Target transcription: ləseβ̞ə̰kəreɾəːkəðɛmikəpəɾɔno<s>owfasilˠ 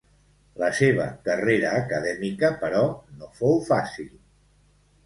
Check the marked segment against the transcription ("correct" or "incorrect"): incorrect